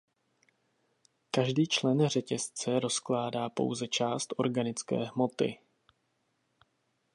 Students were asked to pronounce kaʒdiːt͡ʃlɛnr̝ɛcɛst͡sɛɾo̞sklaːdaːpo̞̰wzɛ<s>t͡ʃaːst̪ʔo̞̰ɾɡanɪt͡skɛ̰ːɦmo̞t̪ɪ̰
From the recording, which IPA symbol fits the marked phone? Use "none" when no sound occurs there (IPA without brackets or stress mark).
none